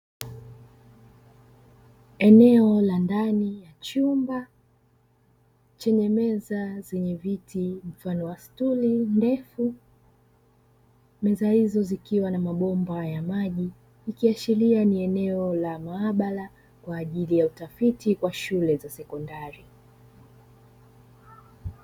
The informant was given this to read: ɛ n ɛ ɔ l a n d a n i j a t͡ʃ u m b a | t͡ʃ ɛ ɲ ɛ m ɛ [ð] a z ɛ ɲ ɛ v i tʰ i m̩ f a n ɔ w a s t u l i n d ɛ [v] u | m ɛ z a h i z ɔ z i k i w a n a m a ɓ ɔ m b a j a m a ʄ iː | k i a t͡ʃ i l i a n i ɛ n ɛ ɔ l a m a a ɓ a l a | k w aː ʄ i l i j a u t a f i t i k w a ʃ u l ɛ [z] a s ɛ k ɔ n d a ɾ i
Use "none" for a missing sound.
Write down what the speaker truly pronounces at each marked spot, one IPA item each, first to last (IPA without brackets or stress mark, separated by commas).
z, f, z